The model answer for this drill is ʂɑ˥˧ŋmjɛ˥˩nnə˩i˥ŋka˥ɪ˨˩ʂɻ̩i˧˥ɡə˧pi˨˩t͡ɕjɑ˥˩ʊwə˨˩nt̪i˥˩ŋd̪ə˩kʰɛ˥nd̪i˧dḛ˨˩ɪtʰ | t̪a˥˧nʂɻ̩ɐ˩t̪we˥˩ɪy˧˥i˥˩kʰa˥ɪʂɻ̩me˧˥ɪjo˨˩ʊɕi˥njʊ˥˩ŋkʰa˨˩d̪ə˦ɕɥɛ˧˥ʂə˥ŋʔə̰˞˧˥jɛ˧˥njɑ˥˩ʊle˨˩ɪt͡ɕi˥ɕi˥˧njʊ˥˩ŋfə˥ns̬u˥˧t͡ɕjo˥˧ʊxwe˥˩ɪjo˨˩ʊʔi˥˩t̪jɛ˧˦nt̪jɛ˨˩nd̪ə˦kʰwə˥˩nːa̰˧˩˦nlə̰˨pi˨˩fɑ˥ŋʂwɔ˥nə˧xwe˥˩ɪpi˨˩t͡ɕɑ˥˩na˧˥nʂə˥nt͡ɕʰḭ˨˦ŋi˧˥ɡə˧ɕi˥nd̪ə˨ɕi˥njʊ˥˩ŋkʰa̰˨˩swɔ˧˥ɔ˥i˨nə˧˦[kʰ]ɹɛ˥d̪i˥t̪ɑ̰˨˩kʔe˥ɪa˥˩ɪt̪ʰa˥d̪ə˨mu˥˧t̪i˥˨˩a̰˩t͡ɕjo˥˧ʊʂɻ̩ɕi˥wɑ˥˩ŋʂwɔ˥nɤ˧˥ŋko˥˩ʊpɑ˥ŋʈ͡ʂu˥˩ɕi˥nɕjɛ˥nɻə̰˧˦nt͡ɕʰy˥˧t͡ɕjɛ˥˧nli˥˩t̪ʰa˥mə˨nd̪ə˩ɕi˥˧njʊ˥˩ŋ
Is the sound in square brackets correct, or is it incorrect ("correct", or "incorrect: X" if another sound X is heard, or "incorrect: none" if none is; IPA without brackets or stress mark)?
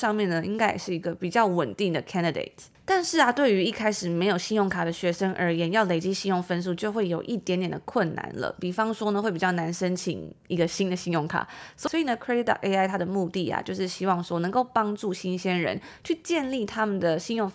correct